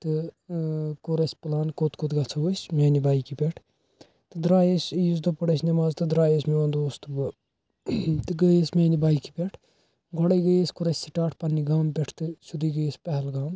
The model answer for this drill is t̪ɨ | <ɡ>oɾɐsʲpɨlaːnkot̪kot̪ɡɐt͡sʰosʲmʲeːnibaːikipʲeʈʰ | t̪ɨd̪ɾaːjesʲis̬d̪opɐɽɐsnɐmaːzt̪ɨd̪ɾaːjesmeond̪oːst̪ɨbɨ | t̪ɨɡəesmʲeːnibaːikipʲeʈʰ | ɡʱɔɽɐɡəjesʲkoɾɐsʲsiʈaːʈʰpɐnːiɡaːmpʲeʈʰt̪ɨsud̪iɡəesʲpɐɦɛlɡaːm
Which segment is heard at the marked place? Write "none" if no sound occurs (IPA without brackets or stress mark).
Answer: k